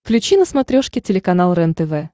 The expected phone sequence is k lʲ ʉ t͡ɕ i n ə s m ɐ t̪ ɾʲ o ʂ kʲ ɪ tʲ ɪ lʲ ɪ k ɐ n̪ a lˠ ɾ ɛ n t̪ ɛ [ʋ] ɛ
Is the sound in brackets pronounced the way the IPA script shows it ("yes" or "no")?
no